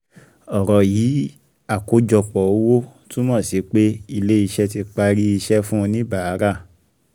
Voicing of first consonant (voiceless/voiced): voiced